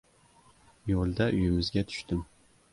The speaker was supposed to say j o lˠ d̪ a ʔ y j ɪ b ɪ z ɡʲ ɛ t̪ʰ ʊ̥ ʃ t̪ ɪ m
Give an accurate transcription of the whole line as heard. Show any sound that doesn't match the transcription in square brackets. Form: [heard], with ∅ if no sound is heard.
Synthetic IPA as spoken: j o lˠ d̪ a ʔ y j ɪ [m] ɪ z ɡʲ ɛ t̪ʰ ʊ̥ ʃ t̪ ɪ m